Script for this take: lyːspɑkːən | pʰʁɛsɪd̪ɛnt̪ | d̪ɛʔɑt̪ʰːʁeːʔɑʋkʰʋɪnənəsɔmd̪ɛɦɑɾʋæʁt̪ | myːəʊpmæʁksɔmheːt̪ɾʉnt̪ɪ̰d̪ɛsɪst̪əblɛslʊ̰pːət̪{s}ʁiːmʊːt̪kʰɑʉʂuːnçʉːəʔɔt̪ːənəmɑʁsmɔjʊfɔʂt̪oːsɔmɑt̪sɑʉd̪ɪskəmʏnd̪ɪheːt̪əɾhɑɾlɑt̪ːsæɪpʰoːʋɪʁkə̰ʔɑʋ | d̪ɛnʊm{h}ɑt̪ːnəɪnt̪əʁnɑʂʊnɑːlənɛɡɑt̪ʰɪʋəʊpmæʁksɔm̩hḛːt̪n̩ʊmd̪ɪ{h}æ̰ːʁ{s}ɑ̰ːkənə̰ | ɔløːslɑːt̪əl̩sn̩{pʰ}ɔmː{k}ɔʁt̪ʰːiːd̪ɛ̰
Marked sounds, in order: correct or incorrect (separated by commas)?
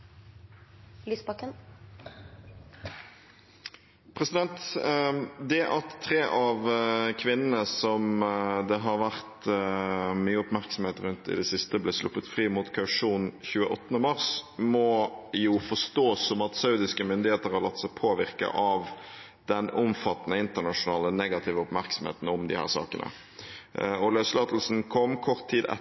incorrect, incorrect, correct, correct, incorrect, incorrect